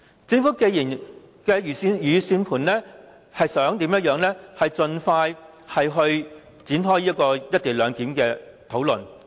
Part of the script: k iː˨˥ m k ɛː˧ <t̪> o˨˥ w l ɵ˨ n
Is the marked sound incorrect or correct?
incorrect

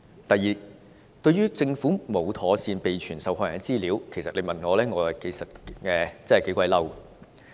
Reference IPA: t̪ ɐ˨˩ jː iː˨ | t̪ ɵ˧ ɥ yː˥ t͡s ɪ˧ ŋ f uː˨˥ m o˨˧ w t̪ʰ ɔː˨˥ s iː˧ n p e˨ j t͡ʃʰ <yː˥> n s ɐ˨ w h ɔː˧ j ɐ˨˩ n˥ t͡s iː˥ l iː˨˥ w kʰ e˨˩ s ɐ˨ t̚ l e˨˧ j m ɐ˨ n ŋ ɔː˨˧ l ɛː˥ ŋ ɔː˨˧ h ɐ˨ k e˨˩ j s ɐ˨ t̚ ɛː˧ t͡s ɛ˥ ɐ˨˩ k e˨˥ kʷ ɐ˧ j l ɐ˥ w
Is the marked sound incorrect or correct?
incorrect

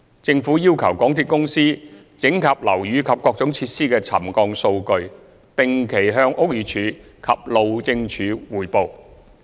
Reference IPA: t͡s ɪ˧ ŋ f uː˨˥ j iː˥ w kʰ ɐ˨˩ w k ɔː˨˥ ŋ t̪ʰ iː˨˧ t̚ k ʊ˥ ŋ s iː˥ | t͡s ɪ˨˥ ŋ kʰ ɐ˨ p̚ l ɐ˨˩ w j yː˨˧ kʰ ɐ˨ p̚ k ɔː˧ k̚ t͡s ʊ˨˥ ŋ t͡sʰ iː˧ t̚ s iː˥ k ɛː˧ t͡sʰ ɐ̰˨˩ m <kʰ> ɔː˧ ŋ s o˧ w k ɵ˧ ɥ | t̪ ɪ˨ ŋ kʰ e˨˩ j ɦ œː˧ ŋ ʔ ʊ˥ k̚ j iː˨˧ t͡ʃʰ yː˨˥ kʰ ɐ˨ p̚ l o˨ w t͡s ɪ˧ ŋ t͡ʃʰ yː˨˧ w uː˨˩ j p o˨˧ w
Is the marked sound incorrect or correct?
incorrect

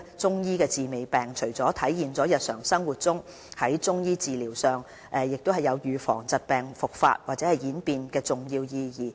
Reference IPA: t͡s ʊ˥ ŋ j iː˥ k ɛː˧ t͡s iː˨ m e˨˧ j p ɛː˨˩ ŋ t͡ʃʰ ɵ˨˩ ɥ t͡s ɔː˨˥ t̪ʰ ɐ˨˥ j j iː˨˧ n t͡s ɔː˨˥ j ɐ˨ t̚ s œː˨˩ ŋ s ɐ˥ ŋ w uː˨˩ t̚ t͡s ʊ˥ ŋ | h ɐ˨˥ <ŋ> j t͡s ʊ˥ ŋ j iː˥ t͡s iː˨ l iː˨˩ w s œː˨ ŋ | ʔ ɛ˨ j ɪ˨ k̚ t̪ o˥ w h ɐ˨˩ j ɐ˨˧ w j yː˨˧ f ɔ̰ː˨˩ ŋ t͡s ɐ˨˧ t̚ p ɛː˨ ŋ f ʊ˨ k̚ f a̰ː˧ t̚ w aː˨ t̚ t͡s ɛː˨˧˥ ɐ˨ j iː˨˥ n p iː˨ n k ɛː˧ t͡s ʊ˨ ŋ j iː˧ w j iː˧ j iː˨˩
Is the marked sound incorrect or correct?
incorrect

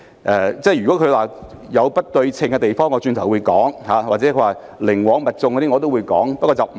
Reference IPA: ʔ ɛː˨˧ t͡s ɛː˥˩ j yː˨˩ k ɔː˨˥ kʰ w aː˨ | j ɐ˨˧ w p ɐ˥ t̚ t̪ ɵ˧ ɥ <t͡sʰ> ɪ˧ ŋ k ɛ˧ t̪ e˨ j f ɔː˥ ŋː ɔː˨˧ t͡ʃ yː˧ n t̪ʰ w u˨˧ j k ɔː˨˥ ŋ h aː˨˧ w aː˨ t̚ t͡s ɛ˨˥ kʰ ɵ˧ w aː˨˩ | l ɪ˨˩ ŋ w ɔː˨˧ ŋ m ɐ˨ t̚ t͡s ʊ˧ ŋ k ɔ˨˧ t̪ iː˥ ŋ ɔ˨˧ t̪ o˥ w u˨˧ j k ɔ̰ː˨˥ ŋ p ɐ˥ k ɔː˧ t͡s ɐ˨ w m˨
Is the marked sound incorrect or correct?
correct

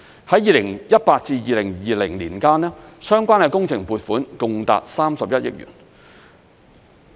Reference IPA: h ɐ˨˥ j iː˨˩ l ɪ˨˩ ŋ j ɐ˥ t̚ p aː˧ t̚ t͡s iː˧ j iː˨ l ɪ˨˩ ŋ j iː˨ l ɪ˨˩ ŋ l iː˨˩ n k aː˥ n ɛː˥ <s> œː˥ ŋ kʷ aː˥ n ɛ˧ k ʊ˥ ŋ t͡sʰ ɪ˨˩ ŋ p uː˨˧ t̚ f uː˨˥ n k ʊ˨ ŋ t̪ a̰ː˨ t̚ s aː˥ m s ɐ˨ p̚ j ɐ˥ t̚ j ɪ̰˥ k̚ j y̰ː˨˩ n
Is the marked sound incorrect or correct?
correct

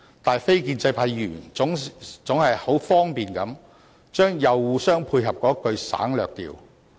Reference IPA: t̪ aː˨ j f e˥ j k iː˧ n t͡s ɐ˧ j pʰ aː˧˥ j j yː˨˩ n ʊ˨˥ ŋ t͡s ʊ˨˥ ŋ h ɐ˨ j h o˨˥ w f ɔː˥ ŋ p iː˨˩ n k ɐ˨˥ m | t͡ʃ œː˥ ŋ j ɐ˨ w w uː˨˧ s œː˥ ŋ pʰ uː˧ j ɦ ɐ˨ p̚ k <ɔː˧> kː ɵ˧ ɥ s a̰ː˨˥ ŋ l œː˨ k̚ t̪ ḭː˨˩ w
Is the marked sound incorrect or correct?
incorrect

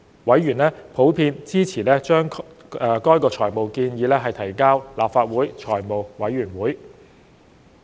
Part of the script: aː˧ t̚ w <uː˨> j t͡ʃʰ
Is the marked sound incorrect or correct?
incorrect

